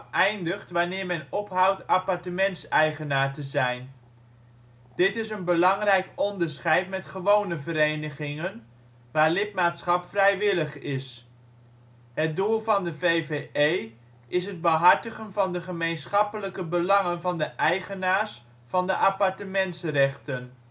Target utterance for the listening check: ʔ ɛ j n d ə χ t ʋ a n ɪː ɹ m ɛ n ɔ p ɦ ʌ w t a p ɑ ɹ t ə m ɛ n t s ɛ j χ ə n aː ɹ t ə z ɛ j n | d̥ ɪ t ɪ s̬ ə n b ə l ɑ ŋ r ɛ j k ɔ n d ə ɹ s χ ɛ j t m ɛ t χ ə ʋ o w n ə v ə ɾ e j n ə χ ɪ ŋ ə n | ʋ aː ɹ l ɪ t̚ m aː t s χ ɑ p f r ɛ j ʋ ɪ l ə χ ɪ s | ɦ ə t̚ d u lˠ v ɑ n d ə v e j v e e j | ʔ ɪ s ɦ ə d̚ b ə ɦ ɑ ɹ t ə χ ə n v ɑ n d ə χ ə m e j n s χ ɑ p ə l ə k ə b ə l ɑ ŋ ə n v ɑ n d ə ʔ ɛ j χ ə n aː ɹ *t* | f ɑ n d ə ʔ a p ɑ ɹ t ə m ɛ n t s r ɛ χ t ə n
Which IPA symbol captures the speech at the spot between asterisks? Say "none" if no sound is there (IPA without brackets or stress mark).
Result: s